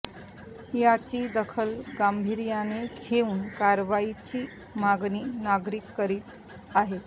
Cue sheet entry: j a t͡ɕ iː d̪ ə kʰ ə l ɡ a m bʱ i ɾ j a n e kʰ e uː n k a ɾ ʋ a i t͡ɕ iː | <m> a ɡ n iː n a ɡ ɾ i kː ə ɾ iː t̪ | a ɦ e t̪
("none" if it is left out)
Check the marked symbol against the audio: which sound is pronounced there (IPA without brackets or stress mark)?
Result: m